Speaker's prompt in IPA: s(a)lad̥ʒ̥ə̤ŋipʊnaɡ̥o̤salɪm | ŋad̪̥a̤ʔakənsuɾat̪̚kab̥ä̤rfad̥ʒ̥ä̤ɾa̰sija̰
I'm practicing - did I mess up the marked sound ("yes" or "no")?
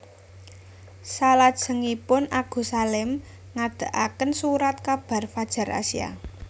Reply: no